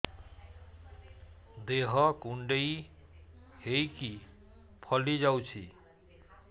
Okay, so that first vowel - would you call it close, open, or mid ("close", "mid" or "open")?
mid